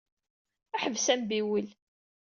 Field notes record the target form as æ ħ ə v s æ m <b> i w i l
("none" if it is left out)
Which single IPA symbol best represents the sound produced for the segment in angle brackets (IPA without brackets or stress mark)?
b